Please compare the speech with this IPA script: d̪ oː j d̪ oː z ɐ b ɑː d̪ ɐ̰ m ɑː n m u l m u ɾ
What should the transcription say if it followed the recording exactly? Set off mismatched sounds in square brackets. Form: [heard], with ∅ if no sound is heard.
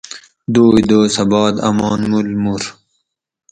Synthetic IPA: d̪ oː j d̪ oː [s] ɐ b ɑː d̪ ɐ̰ m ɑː n m u l m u ɾ